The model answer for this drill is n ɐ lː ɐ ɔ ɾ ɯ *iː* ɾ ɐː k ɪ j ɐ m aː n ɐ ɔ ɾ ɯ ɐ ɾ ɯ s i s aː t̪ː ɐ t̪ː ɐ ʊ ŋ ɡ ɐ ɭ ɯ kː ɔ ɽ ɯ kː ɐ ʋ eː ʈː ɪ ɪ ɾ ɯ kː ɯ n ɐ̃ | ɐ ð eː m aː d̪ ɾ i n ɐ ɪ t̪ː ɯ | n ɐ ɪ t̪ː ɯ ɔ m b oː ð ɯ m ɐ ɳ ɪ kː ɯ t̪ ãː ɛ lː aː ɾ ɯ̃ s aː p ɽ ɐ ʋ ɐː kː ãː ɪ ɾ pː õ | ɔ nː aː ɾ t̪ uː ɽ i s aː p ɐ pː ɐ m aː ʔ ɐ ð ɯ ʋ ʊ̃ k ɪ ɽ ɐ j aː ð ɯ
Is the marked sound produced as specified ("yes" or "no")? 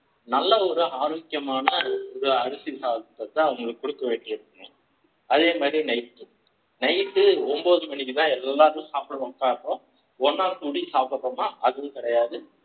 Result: no